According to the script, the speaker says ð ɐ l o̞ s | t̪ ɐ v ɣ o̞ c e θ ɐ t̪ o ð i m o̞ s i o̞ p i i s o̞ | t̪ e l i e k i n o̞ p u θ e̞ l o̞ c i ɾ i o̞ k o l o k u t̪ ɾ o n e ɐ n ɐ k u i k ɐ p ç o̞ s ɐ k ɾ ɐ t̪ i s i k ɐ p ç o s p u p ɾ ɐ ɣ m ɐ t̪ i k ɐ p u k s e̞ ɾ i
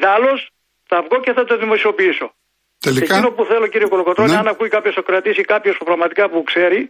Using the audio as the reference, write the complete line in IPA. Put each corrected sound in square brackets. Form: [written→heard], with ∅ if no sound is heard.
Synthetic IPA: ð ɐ l o̞ s | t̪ ɐ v ɣ o̞ c e θ ɐ t̪ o ð i m o̞ s i o̞ p i i s o̞ | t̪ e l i e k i n o̞ p u θ e̞ l o̞ c i ɾ i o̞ k o l o k [u→o] t̪ ɾ o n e ɐ n ɐ k u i k ɐ p ç o̞ s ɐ k ɾ ɐ t̪ i s i k ɐ p ç o s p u p ɾ ɐ ɣ m ɐ t̪ i k ɐ p u k s e̞ ɾ i